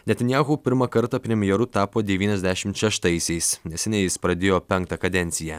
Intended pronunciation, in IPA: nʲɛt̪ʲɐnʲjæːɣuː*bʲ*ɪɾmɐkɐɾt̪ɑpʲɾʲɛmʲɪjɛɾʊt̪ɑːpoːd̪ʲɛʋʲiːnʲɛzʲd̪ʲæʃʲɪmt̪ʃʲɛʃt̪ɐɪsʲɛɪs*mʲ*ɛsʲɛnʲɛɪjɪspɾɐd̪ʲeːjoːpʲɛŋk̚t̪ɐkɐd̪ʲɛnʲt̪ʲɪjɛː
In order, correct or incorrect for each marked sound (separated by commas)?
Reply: incorrect, incorrect